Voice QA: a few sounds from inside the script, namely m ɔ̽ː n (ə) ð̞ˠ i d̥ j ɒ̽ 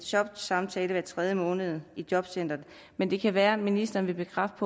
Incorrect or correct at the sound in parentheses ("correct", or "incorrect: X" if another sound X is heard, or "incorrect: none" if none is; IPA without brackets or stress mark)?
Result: correct